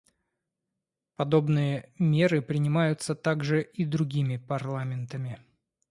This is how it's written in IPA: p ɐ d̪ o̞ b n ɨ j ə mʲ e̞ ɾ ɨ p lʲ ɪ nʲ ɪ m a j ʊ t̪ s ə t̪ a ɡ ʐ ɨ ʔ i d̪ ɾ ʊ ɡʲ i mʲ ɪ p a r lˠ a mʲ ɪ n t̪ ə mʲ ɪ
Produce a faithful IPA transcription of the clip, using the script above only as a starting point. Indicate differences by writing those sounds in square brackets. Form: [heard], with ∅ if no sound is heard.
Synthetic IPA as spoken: p ɐ d̪ o̞ b n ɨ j ə mʲ e̞ ɾ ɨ p [ɾʲ] ɪ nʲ ɪ m a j ʊ t̪ s ə t̪ a ɡ ʐ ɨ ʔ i d̪ ɾ ʊ ɡʲ i mʲ ɪ p [ɐ] r lˠ a mʲ ɪ n t̪ ə mʲ ɪ